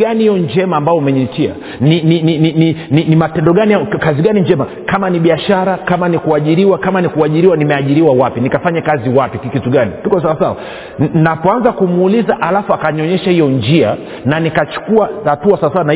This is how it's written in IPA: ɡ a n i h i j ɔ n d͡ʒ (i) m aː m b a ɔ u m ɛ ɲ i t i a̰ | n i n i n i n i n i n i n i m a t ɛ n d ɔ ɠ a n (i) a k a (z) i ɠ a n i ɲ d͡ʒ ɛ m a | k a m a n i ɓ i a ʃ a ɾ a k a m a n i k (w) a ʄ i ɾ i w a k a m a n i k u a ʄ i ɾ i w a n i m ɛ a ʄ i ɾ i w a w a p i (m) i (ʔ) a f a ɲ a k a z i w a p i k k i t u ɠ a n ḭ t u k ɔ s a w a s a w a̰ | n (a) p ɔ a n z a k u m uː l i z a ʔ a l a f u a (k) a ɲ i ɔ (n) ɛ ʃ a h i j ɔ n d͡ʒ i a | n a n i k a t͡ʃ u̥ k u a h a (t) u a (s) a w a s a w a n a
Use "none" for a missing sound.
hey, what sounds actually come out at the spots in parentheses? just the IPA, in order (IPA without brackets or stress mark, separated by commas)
ɛ, i, z, u, n, k, a, k, ɲ, t, s